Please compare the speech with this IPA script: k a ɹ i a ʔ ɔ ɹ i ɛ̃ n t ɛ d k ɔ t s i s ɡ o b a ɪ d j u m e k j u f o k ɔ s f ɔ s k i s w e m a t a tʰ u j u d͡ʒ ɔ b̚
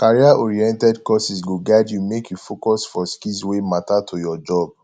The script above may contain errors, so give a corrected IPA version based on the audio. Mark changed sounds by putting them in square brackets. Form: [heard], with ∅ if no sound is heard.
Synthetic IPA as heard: k a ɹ i a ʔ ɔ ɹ i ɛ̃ n t ɛ d k ɔ [∅] s i s ɡ o [ɡ] a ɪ d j u m e k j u f o k ɔ s f ɔ s k i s w e m a t a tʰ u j [ɔ] d͡ʒ ɔ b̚